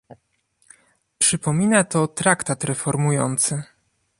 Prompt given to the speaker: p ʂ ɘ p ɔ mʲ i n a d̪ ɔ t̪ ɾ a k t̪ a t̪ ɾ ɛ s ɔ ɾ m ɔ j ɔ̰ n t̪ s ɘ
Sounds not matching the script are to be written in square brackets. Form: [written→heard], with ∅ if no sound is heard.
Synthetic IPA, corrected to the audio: p ʂ ɘ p ɔ mʲ i n a [d̪→t̪] ɔ t̪ ɾ a k t̪ a t̪ ɾ ɛ [s→f] ɔ ɾ m [ɔ→u] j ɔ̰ n t̪ s ɘ